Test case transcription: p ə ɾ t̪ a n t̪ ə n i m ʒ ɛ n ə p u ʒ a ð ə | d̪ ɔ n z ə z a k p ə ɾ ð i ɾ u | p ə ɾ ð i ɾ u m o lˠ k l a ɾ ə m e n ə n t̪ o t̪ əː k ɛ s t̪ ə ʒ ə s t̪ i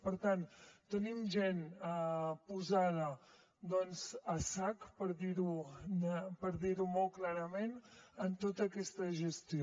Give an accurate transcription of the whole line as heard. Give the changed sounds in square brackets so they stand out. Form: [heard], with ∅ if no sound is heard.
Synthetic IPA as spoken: p ə ɾ t̪ a n t̪ ə n i m ʒ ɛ n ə p u [z] a ð ə | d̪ ɔ n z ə [s] a k p ə ɾ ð i ɾ u | p ə ɾ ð i ɾ u m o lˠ k l a ɾ ə m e n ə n t̪ o t̪ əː k ɛ s t̪ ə ʒ ə s t̪ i

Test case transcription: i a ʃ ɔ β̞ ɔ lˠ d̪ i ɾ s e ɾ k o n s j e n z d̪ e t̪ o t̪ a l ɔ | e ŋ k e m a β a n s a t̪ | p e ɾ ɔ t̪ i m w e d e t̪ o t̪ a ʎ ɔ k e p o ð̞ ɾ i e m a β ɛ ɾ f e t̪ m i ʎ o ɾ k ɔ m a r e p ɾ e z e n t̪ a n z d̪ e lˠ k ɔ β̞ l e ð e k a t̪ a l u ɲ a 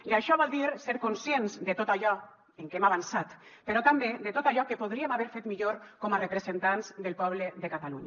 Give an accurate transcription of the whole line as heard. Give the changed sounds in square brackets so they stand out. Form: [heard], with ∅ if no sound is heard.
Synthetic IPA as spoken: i a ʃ ɔ β̞ ɔ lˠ d̪ i ɾ s e ɾ k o n s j e n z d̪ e t̪ o t̪ a [ʎ] ɔ | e ŋ k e m a β a n s a t̪ | p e ɾ ɔ t̪ [a] m [b] e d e t̪ o t̪ a ʎ ɔ k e p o ð̞ ɾ i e m a β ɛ ɾ f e t̪ m i ʎ o ɾ k ɔ m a r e p ɾ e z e n t̪ a n z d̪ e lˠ [p] ɔ β̞ l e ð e k a t̪ a l u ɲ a

